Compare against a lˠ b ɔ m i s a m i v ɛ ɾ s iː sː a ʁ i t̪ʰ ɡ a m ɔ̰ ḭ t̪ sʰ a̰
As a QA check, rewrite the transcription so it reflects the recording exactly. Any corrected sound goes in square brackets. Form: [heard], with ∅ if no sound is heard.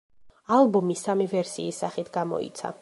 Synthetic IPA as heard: a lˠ b ɔ m i s a m i v ɛ ɾ s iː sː a [χ] i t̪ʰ ɡ a m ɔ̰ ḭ t̪ sʰ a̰